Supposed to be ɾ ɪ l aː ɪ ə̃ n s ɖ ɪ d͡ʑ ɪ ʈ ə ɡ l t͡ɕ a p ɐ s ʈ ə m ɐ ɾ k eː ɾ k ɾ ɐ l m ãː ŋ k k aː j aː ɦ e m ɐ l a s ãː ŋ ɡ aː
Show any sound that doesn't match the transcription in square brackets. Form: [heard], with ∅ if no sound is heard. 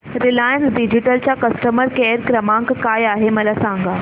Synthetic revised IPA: ɾ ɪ l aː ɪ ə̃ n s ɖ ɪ d͡ʑ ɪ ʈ ə [∅] l t͡ɕ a [k] ɐ s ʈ ə m [ə] ɾ k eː ɾ k ɾ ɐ [∅] m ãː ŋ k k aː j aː ɦ e m ɐ l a s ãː ŋ ɡ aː